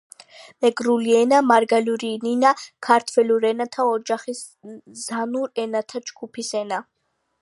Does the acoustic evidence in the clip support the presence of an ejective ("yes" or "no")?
no